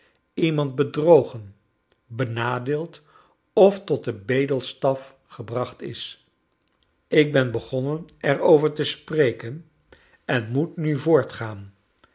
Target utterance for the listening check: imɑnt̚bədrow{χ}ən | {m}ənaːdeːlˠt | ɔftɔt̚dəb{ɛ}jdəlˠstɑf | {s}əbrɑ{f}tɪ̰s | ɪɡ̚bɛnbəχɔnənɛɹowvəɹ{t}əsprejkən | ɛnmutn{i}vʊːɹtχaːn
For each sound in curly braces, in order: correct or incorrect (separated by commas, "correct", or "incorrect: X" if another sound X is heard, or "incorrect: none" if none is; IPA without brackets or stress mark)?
correct, incorrect: b, incorrect: e, incorrect: χ, incorrect: χ, correct, incorrect: y